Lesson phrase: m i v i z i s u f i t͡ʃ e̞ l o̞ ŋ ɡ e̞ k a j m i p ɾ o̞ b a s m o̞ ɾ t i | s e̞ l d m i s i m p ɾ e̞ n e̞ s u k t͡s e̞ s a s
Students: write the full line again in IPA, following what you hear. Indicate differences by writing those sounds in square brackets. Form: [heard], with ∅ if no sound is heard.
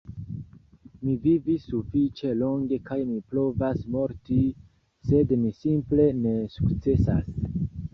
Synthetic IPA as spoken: m i v i [v] i s u f i t͡ʃ e̞ l o̞ ŋ ɡ e̞ k a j m i p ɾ o̞ [v] a s m o̞ ɾ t i | s e̞ [∅] d m i s i m p [l] e̞ n e̞ s u k t͡s e̞ s a s